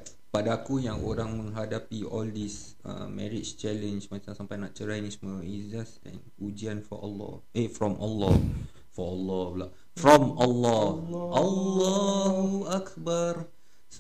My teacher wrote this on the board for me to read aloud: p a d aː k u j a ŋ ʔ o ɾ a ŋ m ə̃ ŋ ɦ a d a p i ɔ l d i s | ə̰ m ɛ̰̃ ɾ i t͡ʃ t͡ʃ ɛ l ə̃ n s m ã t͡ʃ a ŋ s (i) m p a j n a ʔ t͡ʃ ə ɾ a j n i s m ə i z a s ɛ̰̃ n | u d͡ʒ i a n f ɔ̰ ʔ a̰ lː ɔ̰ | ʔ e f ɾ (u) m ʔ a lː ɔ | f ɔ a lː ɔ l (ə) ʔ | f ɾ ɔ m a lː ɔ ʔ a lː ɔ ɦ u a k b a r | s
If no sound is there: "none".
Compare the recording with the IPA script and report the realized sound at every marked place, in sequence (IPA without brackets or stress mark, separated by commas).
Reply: a, ɔ, a